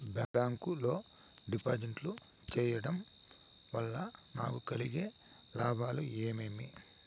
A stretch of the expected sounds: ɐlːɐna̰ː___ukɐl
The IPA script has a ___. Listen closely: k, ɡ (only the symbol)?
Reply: k